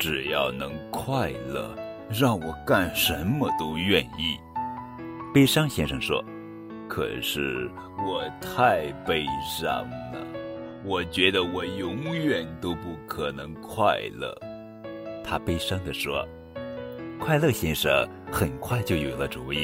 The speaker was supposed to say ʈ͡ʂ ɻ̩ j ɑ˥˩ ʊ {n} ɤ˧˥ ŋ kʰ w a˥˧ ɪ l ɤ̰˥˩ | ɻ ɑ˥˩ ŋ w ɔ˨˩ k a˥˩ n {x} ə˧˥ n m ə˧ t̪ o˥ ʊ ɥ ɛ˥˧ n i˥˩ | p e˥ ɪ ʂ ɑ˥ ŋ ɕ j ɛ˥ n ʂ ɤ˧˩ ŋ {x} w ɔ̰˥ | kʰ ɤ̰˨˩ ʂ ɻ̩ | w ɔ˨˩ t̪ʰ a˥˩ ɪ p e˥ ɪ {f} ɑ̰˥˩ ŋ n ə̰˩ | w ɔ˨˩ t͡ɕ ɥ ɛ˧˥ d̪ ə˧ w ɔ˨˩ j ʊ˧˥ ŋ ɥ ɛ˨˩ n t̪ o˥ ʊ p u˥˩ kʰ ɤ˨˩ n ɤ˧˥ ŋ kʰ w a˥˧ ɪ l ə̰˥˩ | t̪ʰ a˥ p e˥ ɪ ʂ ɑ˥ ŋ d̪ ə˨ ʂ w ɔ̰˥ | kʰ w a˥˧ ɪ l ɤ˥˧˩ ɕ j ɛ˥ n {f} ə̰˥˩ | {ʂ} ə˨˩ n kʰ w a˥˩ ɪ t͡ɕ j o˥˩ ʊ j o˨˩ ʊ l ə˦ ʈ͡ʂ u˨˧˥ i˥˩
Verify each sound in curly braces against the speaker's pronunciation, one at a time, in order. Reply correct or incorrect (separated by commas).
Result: correct, incorrect, incorrect, incorrect, incorrect, incorrect